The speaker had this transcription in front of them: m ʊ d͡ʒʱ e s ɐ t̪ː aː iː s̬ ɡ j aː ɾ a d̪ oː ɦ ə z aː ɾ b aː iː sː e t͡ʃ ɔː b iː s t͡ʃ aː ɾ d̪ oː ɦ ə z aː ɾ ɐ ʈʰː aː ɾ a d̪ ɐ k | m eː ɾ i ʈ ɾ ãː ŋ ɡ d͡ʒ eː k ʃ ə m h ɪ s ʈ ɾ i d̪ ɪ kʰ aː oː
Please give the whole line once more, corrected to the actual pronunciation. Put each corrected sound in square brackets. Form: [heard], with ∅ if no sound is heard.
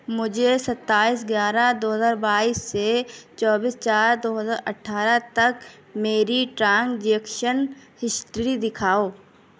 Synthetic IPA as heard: m ʊ d͡ʒʱ e s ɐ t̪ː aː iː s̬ ɡ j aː ɾ a d̪ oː ɦ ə z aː ɾ b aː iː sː e t͡ʃ ɔː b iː s t͡ʃ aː ɾ d̪ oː ɦ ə z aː ɾ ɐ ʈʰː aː ɾ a [t̪] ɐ k | m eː ɾ i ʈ ɾ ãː ŋ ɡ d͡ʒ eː k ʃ ə [n] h ɪ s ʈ ɾ i d̪ ɪ kʰ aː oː